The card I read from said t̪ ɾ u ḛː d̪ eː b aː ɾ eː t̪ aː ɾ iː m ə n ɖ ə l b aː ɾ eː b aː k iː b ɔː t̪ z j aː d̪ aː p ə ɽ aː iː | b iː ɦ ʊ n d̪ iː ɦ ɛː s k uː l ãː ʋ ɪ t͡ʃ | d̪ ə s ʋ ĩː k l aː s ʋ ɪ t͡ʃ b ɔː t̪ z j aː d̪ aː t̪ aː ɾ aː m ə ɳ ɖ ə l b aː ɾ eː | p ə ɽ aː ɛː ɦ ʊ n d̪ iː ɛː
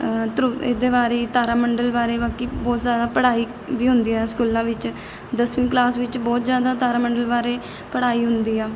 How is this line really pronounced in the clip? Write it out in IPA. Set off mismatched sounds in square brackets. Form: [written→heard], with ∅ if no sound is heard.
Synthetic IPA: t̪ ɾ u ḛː d̪ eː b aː ɾ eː t̪ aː ɾ [iː→aː] m ə [n→ɳ] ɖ ə l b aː ɾ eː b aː k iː b ɔː t̪ z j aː d̪ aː p ə ɽ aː iː | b iː ɦ ʊ n d̪ iː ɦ ɛː s k uː l ãː ʋ ɪ t͡ʃ | d̪ ə s ʋ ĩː k l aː s ʋ ɪ t͡ʃ b ɔː t̪ z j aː d̪ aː t̪ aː ɾ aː m ə ɳ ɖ ə l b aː ɾ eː | p ə ɽ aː [ɛː→iː] ɦ ʊ n d̪ iː ɛː